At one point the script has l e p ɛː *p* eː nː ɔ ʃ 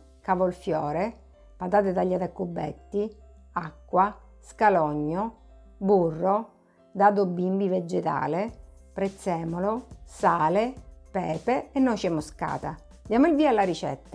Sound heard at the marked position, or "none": p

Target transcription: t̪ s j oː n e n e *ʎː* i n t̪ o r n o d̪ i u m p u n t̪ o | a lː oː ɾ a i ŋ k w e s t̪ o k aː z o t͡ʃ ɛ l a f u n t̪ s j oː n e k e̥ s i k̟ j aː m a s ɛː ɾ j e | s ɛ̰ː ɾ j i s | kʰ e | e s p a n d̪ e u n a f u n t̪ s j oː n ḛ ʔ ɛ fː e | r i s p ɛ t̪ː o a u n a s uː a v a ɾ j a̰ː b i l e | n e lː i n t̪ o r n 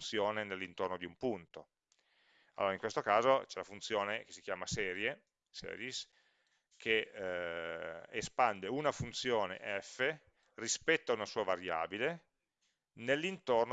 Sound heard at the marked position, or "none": lː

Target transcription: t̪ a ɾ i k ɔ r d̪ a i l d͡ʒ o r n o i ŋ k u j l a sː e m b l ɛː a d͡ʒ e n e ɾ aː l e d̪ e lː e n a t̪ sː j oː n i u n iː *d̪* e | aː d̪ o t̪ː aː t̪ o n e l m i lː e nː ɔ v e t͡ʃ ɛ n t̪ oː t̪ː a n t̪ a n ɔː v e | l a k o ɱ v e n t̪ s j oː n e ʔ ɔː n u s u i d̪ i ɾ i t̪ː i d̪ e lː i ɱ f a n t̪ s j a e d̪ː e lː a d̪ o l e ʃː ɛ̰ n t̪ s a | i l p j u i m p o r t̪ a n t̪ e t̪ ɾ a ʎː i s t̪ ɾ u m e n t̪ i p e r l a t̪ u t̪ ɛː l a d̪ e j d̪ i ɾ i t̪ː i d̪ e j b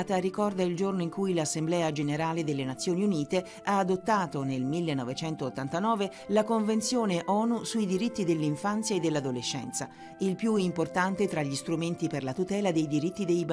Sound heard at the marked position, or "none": t̪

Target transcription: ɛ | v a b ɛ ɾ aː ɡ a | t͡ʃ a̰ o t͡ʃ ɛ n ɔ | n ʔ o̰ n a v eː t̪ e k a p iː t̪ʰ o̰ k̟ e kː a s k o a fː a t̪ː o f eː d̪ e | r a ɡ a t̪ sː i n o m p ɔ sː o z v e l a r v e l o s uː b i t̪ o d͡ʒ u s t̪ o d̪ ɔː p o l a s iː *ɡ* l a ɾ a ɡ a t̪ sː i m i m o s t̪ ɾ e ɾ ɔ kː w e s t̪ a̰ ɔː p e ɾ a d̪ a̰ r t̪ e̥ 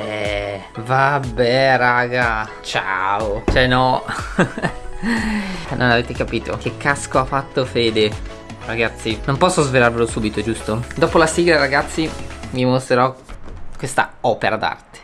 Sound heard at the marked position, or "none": ɡ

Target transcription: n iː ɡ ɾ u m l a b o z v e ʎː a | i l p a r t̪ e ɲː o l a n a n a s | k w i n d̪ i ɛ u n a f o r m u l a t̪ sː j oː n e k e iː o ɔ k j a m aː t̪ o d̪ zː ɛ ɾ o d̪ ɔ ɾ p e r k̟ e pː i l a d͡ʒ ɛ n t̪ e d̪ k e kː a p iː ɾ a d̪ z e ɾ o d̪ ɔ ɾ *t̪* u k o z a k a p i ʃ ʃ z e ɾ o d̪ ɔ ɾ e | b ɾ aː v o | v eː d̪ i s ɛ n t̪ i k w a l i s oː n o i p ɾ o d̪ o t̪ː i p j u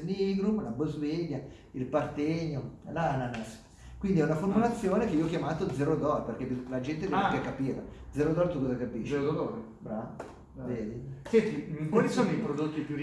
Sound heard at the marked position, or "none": t̪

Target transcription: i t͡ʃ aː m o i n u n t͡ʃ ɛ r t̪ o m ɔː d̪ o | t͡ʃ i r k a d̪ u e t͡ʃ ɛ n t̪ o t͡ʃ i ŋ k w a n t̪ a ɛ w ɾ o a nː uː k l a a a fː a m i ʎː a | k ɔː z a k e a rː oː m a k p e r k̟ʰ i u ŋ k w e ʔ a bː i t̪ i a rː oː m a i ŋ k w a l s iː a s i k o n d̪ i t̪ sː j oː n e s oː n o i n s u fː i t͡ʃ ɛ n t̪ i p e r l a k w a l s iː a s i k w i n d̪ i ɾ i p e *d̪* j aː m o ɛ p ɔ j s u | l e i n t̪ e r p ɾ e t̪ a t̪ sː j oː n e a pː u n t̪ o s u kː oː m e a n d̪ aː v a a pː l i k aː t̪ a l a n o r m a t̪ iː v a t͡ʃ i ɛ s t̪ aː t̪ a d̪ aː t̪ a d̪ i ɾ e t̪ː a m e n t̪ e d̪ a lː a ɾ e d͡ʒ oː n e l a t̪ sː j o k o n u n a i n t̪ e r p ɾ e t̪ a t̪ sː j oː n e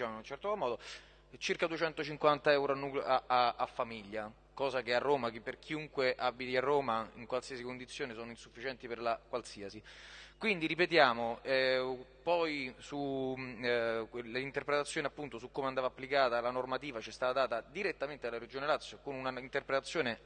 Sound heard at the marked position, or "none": t̪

